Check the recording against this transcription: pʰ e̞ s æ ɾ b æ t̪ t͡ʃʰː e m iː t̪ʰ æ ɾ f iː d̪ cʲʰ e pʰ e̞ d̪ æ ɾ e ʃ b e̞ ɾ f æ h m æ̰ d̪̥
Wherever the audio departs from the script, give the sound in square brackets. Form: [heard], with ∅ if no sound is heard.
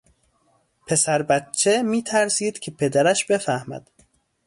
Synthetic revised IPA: pʰ e̞ s æ ɾ b æ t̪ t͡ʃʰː e m iː t̪ʰ æ ɾ [s] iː d̪ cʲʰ e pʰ e̞ d̪ æ ɾ [æ] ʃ b e̞ [∅] f æ h m æ̰ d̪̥